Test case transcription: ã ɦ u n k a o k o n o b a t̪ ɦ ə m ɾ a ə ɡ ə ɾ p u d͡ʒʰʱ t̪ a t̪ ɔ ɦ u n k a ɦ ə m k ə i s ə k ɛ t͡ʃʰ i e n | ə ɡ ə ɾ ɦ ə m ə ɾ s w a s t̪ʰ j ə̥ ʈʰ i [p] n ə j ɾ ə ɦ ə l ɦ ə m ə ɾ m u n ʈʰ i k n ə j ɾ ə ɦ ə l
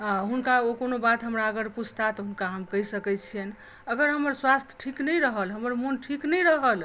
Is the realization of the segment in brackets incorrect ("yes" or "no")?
yes